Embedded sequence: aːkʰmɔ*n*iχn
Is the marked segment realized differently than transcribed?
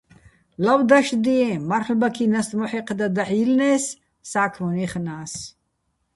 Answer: no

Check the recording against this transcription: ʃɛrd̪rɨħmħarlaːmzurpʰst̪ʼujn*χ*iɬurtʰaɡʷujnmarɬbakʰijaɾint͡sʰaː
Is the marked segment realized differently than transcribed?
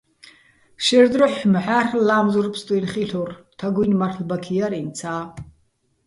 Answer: no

